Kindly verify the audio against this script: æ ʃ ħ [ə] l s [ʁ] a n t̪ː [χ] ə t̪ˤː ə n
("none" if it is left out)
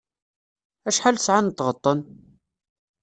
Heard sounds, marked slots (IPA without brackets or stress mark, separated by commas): a, ʕ, ʁ